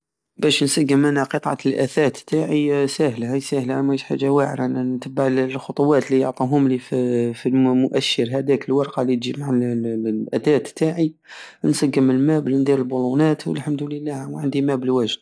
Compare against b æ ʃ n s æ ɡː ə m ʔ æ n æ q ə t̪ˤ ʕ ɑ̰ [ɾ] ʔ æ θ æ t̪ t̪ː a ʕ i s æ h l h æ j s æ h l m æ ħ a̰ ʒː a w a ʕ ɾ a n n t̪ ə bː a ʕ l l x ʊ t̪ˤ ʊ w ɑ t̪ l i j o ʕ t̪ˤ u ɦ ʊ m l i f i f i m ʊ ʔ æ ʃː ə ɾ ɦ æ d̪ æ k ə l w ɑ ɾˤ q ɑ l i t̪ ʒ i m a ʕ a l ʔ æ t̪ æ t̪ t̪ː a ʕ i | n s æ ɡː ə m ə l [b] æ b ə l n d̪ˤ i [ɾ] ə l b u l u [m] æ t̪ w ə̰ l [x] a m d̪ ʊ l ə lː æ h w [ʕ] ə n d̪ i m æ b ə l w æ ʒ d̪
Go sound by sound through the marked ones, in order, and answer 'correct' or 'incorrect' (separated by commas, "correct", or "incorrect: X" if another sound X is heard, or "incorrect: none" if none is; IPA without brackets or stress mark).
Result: incorrect: l, incorrect: m, correct, incorrect: n, incorrect: ħ, correct